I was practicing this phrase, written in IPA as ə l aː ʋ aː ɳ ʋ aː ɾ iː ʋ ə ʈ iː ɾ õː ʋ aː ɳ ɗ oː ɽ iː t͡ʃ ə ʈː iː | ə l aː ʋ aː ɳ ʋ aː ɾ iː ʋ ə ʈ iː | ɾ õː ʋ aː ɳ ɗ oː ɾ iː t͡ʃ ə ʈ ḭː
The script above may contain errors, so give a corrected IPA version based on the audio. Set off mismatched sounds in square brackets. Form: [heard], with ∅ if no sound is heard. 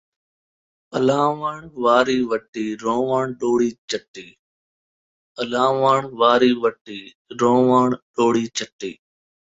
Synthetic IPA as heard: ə l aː ʋ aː ɳ ʋ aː ɾ iː ʋ ə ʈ iː ɾ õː ʋ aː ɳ ɗ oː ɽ iː t͡ʃ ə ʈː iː | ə l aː ʋ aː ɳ ʋ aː ɾ iː ʋ ə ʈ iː | ɾ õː ʋ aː ɳ ɗ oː [ɽ] iː t͡ʃ ə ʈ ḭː